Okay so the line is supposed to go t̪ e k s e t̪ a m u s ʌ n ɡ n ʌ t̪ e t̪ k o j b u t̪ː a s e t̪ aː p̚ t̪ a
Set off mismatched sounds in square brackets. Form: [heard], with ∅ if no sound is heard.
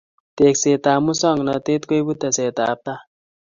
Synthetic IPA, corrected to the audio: t̪ e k s e t̪ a m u s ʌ [ŋ] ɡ n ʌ t̪ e t̪ k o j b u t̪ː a s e t̪ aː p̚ t̪ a